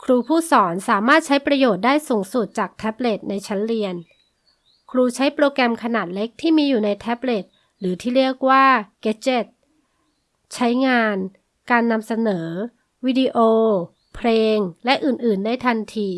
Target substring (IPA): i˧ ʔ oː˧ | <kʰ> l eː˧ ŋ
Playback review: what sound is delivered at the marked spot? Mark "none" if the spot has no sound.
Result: pʰ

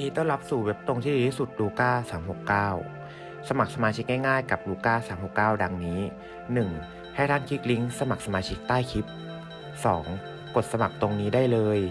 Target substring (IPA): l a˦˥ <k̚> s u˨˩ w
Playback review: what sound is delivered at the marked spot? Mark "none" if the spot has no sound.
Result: p̚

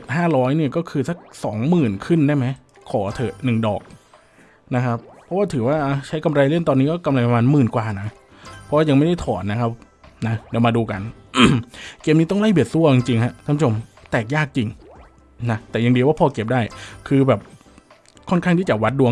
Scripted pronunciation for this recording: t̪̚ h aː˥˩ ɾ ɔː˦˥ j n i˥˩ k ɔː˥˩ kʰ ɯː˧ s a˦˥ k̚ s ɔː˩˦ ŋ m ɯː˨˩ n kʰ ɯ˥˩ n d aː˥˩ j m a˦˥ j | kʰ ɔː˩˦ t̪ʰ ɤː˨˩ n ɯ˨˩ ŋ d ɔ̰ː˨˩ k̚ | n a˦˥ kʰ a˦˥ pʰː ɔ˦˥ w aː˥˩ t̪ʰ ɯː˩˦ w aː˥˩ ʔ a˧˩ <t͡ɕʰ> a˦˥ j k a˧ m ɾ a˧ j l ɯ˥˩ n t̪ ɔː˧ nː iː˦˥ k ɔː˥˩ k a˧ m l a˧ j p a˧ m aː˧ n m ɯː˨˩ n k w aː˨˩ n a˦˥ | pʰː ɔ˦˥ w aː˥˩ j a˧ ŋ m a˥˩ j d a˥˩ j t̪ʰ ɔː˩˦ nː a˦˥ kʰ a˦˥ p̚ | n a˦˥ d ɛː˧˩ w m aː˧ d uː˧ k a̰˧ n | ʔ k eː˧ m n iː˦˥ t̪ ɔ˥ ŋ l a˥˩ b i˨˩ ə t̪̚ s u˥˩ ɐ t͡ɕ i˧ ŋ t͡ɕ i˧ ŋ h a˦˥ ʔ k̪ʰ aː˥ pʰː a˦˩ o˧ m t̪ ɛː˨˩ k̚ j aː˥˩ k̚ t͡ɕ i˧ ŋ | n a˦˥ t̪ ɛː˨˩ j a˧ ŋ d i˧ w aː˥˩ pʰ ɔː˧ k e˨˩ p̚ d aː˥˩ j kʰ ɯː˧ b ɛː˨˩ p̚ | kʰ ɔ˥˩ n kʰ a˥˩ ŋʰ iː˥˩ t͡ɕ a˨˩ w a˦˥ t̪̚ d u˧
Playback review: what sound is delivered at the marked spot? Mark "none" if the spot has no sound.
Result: t͡ɕʰ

